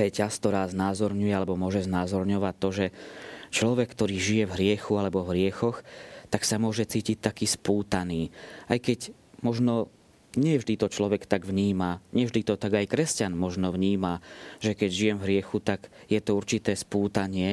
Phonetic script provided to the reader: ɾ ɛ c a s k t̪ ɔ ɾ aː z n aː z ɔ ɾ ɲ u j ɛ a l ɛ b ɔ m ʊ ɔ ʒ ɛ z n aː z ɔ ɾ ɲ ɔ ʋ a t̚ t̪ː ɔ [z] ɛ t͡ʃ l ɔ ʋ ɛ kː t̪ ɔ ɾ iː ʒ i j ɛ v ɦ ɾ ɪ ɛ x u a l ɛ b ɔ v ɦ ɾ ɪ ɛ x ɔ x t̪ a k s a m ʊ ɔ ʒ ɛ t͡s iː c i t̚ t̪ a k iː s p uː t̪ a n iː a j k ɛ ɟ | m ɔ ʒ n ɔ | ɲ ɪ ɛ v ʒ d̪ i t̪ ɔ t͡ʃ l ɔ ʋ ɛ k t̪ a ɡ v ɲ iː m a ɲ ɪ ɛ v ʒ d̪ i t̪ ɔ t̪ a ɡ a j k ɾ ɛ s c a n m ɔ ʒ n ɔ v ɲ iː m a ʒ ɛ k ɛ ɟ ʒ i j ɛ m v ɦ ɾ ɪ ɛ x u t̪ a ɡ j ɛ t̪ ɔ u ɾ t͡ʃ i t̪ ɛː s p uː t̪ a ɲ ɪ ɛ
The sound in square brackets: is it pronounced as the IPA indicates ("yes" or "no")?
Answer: no